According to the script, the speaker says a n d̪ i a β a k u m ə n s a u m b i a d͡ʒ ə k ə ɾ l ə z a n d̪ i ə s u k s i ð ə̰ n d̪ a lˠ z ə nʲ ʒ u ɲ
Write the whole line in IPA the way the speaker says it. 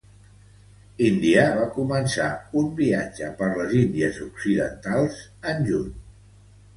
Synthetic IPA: i n d̪ i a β a k u m ə n s a u m b i a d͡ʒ ə p ə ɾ l ə z i n d̪ i ə z u k s i ð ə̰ n t̪ a lˠ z ə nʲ ʒ u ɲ